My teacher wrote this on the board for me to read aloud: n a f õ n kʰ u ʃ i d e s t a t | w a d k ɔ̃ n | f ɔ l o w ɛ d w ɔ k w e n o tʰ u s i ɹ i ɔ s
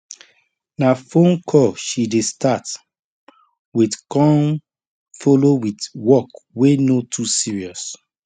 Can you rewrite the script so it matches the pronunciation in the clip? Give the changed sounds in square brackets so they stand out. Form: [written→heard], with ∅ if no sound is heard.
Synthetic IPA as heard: n a f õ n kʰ [u→ɔ] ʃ i d e s t a t | w [a→i] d k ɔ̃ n | f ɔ l o w [ɛ→i] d w ɔ k w e n o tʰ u s i ɹ i ɔ s